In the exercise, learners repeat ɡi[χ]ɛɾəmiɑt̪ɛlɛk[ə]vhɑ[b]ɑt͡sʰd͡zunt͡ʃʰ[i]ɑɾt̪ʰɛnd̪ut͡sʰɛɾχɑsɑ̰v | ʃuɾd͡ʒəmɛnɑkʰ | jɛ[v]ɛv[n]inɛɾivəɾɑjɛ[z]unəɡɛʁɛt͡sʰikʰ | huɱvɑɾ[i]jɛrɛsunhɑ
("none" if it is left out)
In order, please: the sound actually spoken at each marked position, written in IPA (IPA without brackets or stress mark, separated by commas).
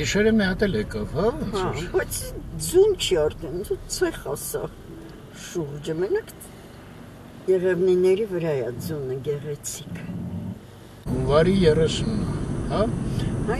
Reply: ʃ, ɑ, b, i, ʁ, n, d͡z, i